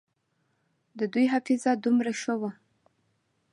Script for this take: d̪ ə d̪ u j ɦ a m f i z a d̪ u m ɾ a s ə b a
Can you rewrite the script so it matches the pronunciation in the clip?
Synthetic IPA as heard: d̪ ə d̪ u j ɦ a f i z a d̪ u m ɾ a ʃ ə w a